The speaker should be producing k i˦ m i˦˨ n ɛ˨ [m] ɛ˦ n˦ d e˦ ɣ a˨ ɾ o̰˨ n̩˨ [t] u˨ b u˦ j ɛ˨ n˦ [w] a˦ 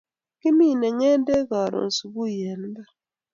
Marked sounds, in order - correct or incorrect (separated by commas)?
incorrect, incorrect, incorrect